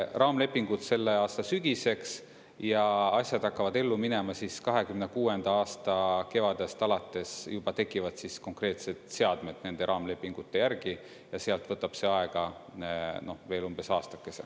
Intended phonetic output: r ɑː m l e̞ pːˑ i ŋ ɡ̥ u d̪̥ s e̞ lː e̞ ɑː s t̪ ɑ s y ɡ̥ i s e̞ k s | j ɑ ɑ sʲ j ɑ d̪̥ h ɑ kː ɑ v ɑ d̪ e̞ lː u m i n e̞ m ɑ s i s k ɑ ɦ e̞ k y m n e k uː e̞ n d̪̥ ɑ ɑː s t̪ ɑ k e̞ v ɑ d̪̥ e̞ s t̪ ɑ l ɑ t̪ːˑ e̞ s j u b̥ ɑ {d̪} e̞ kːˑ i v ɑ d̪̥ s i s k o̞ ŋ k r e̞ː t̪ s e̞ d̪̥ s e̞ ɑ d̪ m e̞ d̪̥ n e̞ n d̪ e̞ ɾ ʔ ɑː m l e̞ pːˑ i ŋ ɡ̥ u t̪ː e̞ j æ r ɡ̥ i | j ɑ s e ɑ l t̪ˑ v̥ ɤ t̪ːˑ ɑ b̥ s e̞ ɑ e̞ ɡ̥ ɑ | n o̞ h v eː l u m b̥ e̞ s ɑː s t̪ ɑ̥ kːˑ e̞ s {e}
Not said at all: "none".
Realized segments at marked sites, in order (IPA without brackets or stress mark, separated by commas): t̪, e